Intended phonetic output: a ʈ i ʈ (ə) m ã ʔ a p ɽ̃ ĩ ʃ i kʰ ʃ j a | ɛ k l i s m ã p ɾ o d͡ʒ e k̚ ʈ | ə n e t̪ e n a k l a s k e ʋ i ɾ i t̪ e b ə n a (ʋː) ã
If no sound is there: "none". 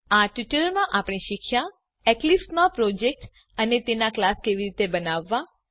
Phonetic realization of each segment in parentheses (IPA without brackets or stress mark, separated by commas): ə, ʋː